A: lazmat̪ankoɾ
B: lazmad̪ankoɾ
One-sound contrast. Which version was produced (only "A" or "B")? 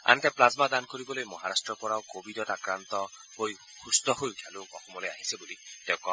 B